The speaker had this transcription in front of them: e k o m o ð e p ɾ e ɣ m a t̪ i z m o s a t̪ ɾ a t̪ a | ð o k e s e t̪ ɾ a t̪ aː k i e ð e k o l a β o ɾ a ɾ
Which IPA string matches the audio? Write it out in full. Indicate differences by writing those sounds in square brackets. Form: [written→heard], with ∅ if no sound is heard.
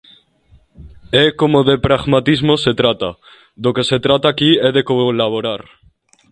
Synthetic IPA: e k o m o ð e p ɾ [e→a] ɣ m a t̪ i z m o s [a→e] t̪ ɾ a t̪ a | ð o k e s e t̪ ɾ a t̪ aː k i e ð e k o l a β o ɾ a ɾ